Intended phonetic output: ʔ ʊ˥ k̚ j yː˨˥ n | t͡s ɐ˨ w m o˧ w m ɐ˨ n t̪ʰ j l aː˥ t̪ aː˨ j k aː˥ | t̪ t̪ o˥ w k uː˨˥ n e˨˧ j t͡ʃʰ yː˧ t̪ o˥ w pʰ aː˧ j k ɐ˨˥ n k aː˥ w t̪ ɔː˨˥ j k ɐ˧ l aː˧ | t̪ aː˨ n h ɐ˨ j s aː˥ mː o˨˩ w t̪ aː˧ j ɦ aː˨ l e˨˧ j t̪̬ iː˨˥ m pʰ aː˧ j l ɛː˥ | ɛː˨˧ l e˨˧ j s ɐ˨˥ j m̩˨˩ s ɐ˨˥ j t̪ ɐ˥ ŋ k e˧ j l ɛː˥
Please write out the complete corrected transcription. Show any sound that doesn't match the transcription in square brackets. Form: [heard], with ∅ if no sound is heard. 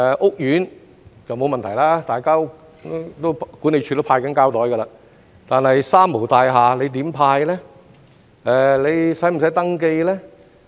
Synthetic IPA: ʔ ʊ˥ k̚ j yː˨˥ n | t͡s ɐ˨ w m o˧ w m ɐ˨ n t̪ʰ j l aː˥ t̪ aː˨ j k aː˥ | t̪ t̪ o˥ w k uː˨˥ n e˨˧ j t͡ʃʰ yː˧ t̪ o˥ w pʰ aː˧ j k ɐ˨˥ n k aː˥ w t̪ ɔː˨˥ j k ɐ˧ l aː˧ | t̪ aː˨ n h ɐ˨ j s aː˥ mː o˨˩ w t̪ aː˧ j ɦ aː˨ l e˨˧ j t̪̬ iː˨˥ m pʰ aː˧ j l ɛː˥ | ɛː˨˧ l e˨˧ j s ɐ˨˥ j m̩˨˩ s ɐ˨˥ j t̪ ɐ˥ ŋ k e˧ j l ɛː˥